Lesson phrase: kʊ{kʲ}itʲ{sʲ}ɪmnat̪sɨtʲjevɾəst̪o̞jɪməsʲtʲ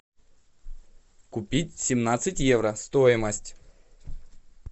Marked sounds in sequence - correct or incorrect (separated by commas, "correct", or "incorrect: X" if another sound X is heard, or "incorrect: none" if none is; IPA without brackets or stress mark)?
incorrect: pʲ, correct